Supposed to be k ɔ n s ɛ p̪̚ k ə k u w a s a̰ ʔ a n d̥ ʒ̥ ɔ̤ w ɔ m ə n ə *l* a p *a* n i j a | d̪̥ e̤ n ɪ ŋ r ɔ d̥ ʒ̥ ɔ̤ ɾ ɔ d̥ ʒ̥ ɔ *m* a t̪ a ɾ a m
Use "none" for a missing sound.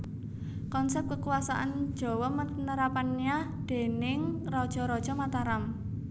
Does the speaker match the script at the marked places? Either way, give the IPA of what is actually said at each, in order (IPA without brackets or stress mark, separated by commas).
ɾ, a, m